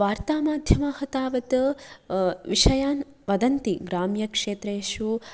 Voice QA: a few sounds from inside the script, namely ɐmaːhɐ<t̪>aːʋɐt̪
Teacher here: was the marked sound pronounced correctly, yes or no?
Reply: yes